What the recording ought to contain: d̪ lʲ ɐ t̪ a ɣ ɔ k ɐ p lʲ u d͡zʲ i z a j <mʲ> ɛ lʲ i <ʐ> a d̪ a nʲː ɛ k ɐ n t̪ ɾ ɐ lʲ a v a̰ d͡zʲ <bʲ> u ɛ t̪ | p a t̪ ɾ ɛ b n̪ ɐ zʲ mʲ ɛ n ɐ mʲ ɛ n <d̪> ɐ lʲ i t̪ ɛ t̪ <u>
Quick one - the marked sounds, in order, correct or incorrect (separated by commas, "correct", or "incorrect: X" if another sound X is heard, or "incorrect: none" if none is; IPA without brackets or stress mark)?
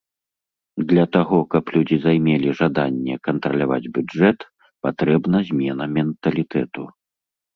correct, correct, correct, incorrect: t̪, correct